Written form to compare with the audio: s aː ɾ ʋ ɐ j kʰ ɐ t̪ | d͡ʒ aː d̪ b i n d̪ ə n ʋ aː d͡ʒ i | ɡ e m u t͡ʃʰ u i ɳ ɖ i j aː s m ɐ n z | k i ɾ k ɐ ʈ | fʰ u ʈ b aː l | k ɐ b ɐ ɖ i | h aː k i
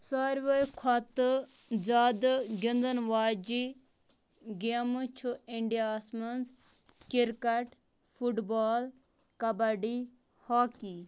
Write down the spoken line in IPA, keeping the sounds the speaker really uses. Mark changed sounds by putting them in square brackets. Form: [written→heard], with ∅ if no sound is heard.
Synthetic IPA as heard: s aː ɾ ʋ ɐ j kʰ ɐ t̪ | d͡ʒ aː d̪ [b→ɡ] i n d̪ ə n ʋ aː d͡ʒ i | ɡ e m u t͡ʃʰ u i ɳ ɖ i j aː s m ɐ n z | k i ɾ k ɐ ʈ | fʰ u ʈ b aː l | k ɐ b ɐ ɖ i | h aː k i